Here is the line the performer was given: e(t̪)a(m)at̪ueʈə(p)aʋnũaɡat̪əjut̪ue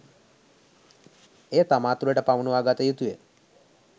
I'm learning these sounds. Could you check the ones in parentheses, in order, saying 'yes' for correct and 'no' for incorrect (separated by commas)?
yes, yes, yes